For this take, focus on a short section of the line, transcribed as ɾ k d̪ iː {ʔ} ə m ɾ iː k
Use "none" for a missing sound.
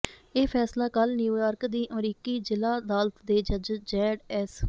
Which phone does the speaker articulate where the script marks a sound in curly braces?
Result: ʔ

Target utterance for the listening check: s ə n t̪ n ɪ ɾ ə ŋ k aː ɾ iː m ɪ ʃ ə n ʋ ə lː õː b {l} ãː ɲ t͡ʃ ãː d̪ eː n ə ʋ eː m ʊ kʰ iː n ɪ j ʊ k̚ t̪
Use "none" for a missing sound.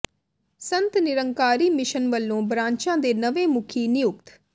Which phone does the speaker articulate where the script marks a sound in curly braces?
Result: ɾ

